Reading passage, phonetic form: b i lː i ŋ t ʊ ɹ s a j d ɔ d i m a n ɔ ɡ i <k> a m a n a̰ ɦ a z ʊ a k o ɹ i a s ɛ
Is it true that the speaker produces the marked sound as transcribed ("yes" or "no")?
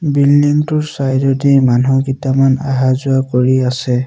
no